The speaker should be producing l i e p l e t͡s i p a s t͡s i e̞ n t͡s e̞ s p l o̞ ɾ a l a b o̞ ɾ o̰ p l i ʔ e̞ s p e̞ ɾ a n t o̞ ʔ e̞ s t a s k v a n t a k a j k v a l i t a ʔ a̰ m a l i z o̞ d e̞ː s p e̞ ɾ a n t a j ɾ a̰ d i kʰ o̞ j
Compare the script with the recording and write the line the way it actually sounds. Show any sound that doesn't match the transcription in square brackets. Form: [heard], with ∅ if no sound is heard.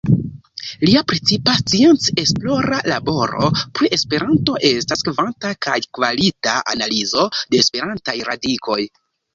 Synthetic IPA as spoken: l i [a] p [ɾ] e t͡s i p a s t͡s i e̞ n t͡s e̞ s p l o̞ ɾ a l a b o̞ ɾ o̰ p [ɾ] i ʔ e̞ s p e̞ ɾ a n t o̞ ʔ e̞ s t a s k v a n t a k a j k v a l i t a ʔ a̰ [n] a l i z o̞ d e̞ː s p e̞ ɾ a n t a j ɾ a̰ d i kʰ o̞ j